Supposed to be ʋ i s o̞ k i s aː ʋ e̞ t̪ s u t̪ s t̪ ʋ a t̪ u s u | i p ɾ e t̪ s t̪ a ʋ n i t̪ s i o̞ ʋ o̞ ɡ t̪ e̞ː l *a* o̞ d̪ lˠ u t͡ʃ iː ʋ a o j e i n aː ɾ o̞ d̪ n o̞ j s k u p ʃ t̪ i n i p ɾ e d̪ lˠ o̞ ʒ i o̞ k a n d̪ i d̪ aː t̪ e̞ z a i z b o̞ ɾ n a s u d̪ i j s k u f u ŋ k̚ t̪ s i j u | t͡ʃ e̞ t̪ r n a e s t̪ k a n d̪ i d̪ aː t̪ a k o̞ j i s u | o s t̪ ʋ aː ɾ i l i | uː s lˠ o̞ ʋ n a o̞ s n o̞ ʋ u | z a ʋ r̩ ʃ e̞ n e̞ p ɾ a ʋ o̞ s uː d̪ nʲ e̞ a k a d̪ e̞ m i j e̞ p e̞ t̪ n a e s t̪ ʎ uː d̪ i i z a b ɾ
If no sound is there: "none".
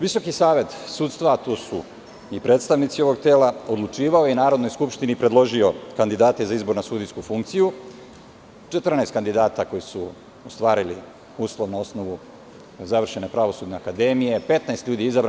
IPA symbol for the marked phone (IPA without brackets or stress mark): a